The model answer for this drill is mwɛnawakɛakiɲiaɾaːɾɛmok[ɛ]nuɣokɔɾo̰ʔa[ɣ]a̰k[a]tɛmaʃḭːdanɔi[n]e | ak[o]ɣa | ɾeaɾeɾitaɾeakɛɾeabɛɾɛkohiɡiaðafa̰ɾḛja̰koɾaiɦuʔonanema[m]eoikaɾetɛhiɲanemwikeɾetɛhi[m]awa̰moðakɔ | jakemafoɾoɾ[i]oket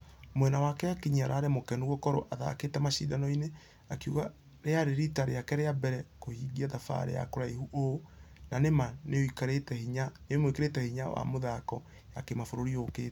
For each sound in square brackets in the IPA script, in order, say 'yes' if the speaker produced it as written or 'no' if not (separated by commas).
yes, no, no, yes, no, no, no, yes